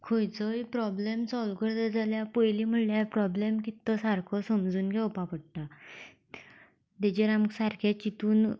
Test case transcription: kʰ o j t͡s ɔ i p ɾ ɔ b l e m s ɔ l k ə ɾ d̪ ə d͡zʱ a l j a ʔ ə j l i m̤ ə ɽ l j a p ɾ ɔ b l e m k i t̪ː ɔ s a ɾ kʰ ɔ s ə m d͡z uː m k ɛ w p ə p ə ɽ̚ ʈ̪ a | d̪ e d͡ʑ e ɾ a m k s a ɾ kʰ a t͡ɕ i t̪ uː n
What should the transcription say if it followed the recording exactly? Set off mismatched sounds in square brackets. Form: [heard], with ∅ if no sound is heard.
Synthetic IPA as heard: kʰ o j t͡s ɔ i p ɾ ɔ b l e m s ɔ l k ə ɾ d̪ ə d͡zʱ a l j a [p] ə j l i m̤ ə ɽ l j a p ɾ ɔ b l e m k i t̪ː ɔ s a ɾ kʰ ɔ s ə m d͡z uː [n] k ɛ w p [a] p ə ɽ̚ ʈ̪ a | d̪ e d͡ʑ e ɾ a m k s a ɾ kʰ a t͡ɕ i t̪ uː n